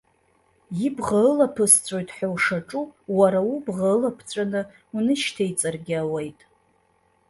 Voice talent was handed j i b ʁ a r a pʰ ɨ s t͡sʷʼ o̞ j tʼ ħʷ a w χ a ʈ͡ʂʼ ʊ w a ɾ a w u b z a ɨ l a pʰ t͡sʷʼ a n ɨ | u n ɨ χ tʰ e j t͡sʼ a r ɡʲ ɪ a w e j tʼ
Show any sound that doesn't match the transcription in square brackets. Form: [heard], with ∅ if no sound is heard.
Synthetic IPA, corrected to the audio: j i b ʁ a [l] a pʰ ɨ s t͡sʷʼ o̞ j tʼ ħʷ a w [ʂ] a ʈ͡ʂʼ [u] w a ɾ a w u b [ʁ] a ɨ l a pʰ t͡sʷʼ a n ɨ | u n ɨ [ʃ] tʰ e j t͡sʼ a r ɡʲ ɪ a w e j tʼ